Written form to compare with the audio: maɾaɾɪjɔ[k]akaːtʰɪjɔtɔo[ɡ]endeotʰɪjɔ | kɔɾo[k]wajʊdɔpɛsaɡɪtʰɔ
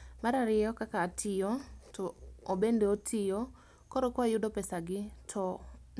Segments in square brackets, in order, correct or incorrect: correct, incorrect: b, correct

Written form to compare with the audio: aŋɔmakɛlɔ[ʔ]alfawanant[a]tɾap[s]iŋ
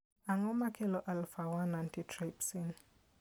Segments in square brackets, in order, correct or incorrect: correct, incorrect: i, correct

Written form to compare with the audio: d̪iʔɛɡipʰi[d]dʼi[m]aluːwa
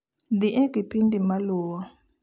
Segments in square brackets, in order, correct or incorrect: incorrect: n, correct

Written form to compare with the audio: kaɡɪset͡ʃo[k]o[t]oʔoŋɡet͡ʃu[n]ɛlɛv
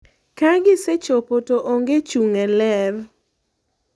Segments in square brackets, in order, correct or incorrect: incorrect: p, correct, incorrect: ŋ

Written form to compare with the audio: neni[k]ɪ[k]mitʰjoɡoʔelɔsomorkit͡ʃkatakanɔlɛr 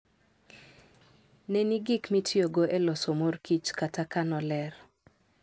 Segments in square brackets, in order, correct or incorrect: incorrect: ɡ, correct

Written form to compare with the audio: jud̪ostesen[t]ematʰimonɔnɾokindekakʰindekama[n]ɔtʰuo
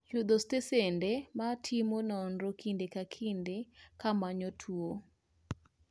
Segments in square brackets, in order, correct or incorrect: incorrect: d, incorrect: ɲ

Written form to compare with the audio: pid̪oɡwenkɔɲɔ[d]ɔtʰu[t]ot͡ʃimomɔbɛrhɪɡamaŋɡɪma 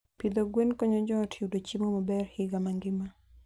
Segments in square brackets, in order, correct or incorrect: incorrect: d͡ʒ, incorrect: d

